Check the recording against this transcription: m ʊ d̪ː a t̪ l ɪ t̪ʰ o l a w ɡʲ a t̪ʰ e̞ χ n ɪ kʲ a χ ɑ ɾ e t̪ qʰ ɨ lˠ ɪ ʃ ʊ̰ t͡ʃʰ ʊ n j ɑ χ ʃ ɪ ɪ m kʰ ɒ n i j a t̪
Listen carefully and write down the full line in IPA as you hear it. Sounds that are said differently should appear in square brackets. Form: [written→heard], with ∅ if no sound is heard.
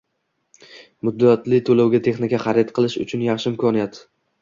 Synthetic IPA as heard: m ʊ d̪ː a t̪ l ɪ t̪ʰ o l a w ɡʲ a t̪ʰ e̞ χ n ɪ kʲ a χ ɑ ɾ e t̪ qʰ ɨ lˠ ɪ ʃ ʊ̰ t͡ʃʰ ʊ n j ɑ χ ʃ ɪ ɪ m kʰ ɒ n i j a t̪